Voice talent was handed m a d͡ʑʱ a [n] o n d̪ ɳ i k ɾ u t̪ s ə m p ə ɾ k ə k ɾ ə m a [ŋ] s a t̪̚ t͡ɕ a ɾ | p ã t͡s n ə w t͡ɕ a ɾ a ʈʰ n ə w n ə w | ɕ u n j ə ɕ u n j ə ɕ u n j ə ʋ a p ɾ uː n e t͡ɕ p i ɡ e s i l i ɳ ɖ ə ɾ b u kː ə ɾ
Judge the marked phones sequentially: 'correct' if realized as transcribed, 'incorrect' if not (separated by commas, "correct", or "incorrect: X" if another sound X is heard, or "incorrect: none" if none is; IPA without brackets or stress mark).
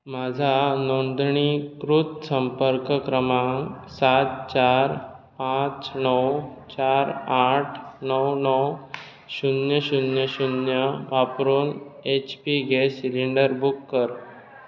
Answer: correct, correct